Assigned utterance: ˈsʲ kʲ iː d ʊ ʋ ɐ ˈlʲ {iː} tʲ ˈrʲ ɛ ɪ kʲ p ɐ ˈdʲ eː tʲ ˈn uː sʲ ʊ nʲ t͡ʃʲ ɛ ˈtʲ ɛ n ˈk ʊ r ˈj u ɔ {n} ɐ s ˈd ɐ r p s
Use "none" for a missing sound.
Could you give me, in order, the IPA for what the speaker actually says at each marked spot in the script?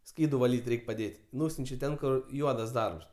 iː, d

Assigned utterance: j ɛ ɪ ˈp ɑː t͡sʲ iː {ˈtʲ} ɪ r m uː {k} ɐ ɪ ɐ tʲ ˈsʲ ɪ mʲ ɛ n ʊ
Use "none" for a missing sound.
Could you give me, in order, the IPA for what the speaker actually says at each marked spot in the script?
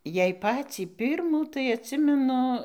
pʲ, t

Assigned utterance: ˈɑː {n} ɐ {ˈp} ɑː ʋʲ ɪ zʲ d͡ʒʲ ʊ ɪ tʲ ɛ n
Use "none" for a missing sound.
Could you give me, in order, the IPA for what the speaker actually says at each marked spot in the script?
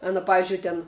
n, p

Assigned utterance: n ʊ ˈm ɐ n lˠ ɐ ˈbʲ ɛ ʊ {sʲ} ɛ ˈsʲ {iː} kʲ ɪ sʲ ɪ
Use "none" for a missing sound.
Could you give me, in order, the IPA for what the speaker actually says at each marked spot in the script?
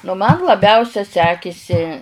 sʲ, æː

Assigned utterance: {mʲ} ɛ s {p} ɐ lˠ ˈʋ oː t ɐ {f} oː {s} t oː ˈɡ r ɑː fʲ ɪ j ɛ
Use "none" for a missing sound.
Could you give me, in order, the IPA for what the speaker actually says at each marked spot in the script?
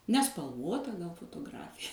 nʲ, p, f, none

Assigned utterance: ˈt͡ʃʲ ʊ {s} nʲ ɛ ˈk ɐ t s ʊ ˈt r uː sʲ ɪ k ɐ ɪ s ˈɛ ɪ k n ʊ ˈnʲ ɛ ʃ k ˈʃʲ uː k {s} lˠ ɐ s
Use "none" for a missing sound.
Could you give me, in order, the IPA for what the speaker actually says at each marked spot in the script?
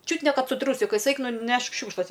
t, ʃ

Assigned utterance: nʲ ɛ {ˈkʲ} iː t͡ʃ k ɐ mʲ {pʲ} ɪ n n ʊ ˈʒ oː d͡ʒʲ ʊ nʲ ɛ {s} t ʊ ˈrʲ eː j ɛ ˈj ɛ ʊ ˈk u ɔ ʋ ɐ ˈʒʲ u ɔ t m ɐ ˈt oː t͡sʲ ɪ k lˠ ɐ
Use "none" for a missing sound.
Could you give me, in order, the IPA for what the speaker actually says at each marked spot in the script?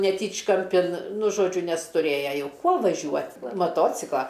tʲ, pʲ, s

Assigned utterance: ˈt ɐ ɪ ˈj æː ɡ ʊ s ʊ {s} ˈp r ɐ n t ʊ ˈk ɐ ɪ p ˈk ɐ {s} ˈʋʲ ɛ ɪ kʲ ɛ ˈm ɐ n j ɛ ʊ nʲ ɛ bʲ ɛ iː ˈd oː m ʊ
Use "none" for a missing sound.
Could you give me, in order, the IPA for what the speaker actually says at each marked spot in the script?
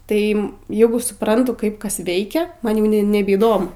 none, s

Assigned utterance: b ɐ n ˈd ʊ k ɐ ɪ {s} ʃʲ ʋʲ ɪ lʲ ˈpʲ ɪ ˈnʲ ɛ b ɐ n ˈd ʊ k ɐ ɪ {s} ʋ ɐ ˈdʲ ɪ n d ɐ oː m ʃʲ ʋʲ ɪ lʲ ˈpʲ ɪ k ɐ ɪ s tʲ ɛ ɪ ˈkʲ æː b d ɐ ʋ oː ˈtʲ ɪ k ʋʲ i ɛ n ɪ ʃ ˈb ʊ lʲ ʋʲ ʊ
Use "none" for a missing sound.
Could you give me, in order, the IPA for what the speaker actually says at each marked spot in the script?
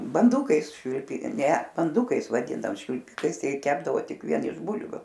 s, s

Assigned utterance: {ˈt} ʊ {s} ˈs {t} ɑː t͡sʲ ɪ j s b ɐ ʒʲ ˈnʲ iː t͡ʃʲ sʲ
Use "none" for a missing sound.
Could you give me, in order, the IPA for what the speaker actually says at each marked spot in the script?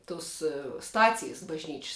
t, s, t

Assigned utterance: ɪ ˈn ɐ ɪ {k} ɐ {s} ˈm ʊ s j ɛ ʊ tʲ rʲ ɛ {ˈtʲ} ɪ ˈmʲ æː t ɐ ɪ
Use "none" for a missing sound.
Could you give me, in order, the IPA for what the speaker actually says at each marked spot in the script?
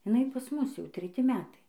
p, s, tʲ

